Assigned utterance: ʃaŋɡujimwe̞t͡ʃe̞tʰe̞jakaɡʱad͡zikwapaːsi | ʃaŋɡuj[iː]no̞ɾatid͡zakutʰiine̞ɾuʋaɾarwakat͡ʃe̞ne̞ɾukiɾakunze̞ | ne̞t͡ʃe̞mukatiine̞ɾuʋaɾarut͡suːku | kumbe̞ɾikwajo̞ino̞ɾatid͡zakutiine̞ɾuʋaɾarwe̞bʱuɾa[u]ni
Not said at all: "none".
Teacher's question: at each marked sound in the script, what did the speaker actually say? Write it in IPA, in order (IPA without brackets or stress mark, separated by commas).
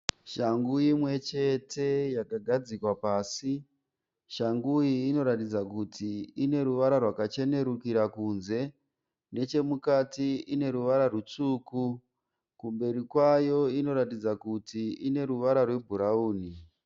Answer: iː, uː